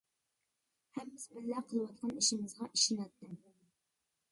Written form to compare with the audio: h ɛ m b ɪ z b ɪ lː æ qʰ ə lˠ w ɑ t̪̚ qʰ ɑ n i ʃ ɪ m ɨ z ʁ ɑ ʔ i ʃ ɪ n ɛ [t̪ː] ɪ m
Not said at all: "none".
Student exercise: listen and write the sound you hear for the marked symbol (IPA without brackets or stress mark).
t̪ː